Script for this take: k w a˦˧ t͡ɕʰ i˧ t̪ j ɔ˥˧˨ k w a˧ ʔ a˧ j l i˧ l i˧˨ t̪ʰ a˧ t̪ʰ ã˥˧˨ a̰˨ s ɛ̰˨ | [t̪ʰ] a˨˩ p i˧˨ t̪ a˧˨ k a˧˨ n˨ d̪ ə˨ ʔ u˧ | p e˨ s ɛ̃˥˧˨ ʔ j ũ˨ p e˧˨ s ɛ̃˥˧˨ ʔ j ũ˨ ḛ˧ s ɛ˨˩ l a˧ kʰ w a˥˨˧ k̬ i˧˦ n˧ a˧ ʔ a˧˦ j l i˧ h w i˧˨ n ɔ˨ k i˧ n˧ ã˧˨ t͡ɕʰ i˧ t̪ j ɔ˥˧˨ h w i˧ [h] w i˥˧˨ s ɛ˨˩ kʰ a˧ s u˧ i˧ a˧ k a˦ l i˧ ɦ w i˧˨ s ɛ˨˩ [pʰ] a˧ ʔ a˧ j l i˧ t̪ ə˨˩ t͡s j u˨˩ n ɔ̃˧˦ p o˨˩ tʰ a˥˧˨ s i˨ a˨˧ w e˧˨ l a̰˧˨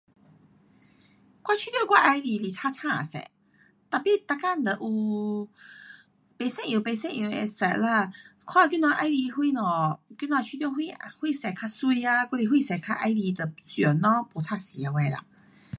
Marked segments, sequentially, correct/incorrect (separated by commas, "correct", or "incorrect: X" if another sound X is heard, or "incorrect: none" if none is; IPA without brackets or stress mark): incorrect: t̪, correct, incorrect: kʰ